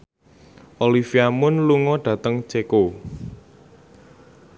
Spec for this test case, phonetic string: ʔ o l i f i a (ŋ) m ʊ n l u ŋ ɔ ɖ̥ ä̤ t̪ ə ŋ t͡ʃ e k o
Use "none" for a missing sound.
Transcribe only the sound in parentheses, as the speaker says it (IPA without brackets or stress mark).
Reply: none